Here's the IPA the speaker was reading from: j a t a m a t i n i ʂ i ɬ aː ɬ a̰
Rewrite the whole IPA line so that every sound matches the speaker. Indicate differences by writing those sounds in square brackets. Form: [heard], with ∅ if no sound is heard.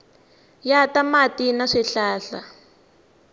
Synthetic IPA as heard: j a t a m a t i n [a] ʂ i ɬ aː ɬ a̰